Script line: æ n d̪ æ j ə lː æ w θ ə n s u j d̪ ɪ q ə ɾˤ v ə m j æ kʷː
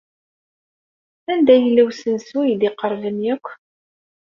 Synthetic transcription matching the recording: æ n d̪ æ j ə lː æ w s ə n s u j d̪ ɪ q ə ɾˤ v ə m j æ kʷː